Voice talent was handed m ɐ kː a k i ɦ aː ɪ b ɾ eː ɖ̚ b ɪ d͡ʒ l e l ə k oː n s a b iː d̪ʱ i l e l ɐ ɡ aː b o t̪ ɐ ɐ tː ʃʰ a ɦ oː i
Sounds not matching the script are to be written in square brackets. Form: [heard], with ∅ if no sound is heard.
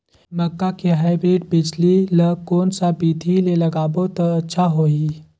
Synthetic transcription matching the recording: m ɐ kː a k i ɦ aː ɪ b ɾ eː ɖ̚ b ɪ d͡ʒ l [i] l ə k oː n s a b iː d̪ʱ i l e l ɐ ɡ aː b o t̪ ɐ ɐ tː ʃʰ a ɦ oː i